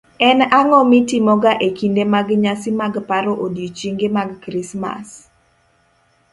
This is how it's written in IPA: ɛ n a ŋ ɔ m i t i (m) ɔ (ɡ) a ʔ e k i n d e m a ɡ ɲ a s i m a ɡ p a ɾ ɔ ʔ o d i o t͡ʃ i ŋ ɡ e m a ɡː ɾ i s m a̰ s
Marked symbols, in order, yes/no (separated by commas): yes, yes